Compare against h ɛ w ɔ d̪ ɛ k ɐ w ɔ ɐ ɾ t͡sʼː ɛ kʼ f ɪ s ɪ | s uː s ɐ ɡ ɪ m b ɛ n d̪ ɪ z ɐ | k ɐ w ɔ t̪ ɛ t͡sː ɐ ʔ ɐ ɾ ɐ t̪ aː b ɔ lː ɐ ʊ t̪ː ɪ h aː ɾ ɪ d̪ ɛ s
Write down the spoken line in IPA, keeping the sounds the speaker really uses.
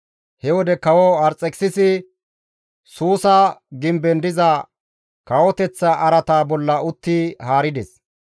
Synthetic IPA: h ɛ w ɔ d̪ ɛ k ɐ w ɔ ɐ ɾ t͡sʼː ɛ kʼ s ɪ s ɪ | s uː s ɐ ɡ ɪ m b ɛ n d̪ ɪ z ɐ | k ɐ w ɔ t̪ ɛ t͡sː ɐ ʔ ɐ ɾ ɐ t̪ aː b ɔ lː ɐ ʊ t̪ː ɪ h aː ɾ ɪ d̪ ɛ s